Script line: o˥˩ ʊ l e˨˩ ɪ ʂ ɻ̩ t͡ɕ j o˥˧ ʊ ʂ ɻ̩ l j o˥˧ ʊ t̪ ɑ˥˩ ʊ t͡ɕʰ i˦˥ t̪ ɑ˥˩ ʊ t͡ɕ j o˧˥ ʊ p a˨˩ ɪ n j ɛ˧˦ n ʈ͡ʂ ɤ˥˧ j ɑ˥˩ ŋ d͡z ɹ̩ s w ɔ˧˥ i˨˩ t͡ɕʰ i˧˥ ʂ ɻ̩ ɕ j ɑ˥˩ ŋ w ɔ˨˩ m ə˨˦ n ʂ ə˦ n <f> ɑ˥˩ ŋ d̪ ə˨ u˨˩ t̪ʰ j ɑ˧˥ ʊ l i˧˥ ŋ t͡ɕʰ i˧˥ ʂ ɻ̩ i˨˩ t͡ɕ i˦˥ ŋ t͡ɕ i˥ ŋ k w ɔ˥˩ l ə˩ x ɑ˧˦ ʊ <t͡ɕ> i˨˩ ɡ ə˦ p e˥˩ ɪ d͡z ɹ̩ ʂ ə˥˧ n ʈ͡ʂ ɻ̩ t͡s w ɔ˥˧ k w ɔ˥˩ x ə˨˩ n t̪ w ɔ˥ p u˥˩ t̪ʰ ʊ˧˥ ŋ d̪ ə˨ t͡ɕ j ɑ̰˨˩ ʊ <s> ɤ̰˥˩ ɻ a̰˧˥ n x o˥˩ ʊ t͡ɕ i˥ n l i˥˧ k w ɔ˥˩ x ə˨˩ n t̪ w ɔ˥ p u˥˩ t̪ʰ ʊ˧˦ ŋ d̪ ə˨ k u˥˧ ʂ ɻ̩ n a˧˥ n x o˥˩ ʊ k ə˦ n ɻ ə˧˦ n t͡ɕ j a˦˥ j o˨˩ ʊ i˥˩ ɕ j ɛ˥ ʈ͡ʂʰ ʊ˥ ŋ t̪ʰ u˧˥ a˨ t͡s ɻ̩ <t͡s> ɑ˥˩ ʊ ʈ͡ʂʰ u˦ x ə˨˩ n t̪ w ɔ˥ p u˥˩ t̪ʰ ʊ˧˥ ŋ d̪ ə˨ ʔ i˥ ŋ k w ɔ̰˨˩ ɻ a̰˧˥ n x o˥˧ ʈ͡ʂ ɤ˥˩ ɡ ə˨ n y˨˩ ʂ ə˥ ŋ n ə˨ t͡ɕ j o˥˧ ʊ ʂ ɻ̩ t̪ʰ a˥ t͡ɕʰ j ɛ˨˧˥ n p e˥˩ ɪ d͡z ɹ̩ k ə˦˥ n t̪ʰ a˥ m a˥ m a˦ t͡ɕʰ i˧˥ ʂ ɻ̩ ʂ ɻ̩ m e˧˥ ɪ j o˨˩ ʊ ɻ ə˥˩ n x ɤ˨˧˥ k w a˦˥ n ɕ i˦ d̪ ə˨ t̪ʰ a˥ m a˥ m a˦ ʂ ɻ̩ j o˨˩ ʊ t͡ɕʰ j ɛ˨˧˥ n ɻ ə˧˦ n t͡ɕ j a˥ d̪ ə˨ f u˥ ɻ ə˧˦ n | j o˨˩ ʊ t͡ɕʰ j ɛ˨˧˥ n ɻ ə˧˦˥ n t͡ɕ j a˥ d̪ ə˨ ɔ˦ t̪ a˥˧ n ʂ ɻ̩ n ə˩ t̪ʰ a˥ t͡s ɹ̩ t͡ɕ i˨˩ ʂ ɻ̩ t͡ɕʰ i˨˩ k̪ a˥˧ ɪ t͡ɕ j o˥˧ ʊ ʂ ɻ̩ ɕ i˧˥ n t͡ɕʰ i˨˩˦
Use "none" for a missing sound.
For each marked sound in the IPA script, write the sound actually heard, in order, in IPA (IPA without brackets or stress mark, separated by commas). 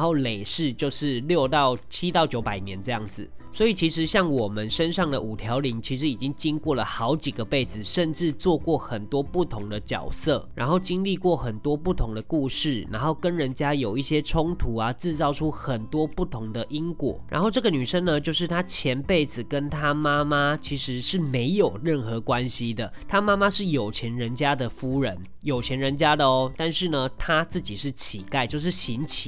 ʂ, t͡ɕ, s, t͡s